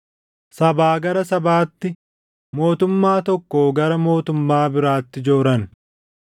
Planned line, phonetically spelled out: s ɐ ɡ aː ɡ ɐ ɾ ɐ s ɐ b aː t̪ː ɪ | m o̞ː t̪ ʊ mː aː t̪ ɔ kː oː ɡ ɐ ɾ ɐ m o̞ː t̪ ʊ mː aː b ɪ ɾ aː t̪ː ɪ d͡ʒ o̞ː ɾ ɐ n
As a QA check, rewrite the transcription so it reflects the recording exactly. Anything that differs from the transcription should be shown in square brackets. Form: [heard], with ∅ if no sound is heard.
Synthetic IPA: s ɐ [b] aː ɡ ɐ ɾ ɐ s ɐ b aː t̪ː ɪ | m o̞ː t̪ ʊ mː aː t̪ ɔ kː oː ɡ ɐ ɾ ɐ m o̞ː t̪ ʊ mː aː b ɪ ɾ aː t̪ː ɪ d͡ʒ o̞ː ɾ ɐ n